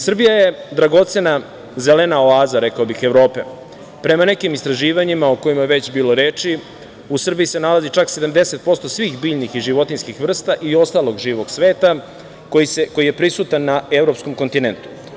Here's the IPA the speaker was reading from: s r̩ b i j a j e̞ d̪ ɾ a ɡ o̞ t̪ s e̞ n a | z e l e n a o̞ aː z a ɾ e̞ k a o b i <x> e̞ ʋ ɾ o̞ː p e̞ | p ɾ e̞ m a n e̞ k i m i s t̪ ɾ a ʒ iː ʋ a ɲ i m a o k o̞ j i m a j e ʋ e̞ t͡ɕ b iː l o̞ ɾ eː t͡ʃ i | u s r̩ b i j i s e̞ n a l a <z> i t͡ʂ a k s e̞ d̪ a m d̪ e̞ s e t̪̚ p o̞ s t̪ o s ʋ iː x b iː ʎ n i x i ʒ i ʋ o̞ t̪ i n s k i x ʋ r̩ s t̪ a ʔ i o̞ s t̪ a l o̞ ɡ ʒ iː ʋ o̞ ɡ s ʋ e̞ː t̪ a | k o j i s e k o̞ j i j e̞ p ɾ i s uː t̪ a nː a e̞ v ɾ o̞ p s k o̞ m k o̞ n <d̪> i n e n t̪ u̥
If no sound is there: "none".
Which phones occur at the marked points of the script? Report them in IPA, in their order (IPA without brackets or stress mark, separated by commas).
x, z, t̪